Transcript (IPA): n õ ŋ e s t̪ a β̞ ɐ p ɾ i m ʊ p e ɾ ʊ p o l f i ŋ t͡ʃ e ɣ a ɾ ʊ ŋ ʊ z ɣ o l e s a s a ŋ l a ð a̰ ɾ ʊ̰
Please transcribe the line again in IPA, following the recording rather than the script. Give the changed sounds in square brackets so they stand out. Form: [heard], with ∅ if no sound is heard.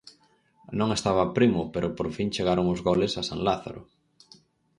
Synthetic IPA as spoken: n õ ŋ e s t̪ a β̞ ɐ p ɾ i m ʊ p e ɾ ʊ p o [ɾ] f i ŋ t͡ʃ e ɣ a ɾ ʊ ŋ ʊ z ɣ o l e s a s a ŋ l a [θ] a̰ ɾ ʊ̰